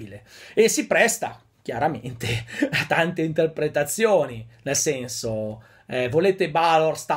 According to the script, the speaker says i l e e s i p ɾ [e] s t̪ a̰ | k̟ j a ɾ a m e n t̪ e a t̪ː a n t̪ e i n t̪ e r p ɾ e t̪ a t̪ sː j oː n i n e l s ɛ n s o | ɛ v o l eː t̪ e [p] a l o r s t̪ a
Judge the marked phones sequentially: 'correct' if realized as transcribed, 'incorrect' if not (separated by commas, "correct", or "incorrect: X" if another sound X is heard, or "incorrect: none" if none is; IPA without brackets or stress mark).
incorrect: ɛ, incorrect: b